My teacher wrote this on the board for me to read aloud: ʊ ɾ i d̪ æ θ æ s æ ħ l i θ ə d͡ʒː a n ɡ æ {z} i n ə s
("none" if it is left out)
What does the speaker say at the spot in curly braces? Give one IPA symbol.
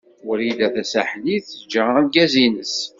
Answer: z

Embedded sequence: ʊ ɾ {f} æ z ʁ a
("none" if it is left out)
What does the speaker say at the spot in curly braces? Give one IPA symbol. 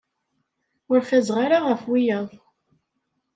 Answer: f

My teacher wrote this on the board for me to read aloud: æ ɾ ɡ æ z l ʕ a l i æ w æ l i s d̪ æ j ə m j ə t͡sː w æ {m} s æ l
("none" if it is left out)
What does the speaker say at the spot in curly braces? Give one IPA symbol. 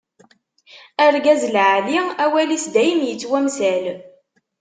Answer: m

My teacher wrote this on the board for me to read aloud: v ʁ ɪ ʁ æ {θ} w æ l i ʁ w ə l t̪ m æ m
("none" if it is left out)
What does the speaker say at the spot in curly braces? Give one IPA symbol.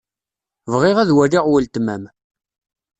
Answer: ð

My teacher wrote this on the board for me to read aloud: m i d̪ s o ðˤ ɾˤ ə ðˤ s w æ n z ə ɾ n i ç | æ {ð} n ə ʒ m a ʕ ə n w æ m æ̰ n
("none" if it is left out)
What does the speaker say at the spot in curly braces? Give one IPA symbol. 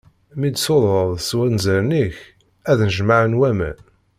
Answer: ð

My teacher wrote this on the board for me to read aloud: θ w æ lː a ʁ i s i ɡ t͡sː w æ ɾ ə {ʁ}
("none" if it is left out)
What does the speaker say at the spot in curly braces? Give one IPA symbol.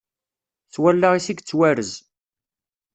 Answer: z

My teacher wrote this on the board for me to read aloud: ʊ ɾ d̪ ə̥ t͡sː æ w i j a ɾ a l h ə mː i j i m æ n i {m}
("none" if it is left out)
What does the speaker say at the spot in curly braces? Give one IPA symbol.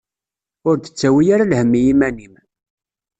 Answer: m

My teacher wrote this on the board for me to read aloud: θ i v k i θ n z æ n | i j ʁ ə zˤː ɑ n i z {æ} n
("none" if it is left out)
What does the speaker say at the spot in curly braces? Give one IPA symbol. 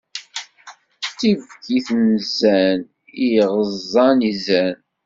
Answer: æ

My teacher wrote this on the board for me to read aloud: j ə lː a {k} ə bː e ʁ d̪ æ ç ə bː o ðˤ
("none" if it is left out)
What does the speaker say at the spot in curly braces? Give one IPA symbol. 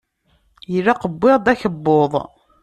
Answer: q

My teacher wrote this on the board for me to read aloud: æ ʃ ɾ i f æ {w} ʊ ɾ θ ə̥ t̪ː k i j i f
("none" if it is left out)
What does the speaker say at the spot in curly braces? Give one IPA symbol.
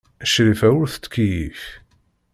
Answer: w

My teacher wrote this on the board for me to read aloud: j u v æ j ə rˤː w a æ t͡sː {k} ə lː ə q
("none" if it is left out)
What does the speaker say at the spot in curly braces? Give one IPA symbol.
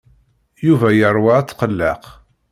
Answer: q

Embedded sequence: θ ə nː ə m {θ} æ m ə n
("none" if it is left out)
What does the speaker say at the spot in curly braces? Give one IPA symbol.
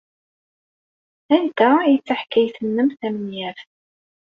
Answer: θ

